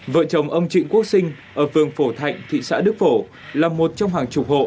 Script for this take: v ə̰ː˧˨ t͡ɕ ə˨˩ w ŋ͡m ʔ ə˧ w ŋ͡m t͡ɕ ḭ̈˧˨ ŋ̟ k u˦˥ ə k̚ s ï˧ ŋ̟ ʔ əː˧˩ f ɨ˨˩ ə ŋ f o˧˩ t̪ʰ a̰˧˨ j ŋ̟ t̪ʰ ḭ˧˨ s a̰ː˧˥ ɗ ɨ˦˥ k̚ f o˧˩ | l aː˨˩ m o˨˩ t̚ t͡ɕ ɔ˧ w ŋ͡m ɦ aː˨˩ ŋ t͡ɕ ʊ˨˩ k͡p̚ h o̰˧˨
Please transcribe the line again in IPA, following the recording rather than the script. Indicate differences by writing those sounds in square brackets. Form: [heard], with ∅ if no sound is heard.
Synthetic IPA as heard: v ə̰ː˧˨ t͡ɕ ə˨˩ w ŋ͡m ʔ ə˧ w ŋ͡m t͡ɕ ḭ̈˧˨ ŋ̟ k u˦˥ ə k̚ s ï˧ ŋ̟ ʔ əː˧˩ f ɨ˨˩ ə ŋ f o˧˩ t̪ʰ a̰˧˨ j ŋ̟ t̪ʰ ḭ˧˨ s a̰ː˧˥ ɗ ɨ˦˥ k̚ f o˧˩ | l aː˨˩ m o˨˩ t̚ t͡ɕ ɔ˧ w ŋ͡m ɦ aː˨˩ ŋ t͡ɕ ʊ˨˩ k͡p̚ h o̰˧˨